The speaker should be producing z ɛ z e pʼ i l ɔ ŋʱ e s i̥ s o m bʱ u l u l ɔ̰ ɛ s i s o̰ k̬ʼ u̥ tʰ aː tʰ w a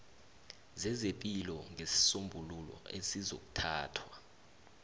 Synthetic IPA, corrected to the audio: z ɛ z e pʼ i l ɔ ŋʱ e s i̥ s o m bʱ u l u l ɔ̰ e s i z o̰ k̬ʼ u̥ tʰ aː tʰ w a